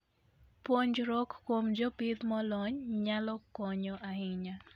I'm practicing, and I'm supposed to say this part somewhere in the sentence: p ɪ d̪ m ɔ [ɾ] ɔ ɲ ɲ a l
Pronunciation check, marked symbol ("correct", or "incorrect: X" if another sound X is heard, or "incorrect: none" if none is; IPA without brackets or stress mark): incorrect: l